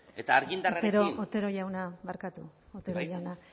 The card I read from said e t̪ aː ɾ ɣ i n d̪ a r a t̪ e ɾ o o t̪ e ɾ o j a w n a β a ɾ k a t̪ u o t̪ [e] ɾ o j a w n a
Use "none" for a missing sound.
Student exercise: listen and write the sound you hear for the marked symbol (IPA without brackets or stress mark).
e